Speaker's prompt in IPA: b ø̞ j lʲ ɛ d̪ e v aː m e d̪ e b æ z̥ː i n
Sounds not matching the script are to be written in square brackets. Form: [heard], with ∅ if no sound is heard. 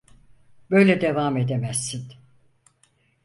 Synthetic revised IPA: b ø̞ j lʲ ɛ d̪ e v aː m e d̪ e [m] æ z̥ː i n

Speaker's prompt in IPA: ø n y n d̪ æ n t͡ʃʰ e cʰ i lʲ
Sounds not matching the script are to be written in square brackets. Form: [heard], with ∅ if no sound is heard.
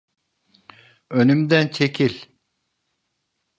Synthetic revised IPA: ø n y [m] d̪ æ n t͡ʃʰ e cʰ i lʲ

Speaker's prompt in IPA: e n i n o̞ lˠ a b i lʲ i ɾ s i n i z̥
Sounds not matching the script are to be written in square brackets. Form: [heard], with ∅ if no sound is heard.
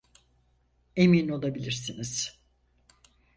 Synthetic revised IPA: e [m] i n o̞ lˠ a b i lʲ i ɾ s i n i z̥

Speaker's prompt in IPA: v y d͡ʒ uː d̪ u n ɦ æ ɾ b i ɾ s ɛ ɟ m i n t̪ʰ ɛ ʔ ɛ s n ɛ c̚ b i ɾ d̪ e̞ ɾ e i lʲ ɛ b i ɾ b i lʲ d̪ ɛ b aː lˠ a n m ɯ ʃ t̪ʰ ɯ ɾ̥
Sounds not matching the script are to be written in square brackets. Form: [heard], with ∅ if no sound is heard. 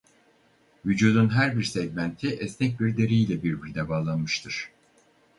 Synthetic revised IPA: v y d͡ʒ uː d̪ u n ɦ æ ɾ b i ɾ s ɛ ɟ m [æ] n t̪ʰ [i] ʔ ɛ s n ɛ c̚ b i ɾ d̪ e̞ ɾ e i lʲ ɛ b i ɾ b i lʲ d̪ ɛ b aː lˠ a n m ɯ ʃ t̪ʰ ɯ ɾ̥

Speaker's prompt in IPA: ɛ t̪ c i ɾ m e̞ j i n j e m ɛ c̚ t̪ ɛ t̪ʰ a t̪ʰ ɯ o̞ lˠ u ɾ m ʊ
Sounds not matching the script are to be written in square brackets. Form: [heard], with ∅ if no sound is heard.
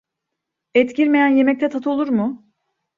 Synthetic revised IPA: ɛ t̪ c i ɾ m e̞ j [æ] n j e m ɛ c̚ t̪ ɛ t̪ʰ a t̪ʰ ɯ o̞ lˠ u ɾ m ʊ

